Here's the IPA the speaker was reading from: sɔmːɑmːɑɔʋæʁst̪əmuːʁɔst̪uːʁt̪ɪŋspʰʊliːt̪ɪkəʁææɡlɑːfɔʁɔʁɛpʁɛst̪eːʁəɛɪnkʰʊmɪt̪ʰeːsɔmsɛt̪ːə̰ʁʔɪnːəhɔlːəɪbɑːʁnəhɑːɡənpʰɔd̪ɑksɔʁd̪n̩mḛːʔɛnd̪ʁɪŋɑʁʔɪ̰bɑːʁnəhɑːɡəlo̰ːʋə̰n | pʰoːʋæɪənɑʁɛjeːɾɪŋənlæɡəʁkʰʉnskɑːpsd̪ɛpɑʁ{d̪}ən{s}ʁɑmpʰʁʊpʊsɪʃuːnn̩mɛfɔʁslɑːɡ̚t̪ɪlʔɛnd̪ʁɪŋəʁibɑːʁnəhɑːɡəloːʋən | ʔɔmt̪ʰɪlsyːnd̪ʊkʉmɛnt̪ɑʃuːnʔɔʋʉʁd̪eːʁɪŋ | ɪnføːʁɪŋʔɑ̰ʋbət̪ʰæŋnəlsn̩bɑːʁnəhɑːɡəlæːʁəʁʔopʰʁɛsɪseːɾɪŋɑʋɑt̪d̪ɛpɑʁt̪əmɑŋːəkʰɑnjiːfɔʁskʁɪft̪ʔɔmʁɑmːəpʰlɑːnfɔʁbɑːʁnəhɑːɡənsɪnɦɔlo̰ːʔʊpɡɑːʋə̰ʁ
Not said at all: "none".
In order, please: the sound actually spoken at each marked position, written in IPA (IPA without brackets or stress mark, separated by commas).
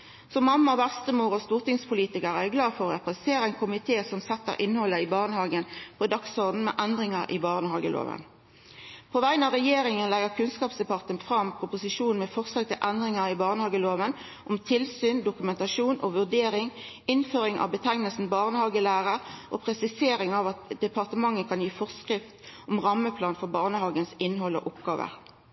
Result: t̪, f